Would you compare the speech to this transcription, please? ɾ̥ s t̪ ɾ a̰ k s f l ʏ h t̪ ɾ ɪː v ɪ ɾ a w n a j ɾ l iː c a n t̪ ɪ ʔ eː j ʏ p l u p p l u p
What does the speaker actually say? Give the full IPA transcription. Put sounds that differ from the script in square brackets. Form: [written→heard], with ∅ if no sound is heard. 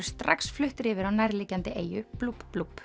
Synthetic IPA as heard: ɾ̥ s t̪ ɾ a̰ k s f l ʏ h t̪ ɾ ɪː v ɪ ɾ a w n a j ɾ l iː c a n t̪ ɪ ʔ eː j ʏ p l u p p l u p